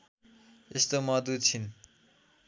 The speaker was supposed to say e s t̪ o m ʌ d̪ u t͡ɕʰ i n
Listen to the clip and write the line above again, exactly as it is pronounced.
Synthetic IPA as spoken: e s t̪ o m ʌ d̪ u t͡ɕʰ i n